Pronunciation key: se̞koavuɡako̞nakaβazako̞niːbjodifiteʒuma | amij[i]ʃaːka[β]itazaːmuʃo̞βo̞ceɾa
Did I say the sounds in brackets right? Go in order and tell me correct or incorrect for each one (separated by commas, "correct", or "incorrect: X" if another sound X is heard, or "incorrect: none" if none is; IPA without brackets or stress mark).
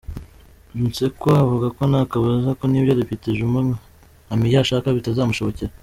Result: incorrect: a, correct